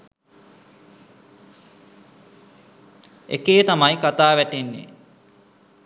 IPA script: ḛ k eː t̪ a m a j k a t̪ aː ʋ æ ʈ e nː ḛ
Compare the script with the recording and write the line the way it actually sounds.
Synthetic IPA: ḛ k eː t̪ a m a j k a t̪ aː ʋ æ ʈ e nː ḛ